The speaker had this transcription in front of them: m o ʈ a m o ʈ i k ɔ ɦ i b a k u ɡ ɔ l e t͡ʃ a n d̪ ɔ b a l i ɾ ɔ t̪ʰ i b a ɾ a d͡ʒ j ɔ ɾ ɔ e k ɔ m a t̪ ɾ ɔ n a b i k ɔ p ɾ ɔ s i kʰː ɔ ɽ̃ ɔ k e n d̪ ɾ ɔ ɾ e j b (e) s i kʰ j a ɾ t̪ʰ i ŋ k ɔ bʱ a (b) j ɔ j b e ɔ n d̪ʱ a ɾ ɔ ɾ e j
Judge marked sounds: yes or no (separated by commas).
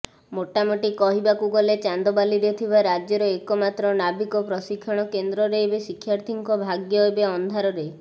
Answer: yes, no